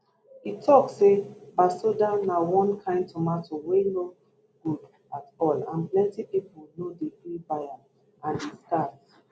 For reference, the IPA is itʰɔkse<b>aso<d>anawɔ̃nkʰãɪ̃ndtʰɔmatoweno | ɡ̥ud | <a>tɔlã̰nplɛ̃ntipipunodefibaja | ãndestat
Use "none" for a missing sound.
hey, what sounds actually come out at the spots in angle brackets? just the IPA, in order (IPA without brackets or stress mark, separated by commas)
b, d, a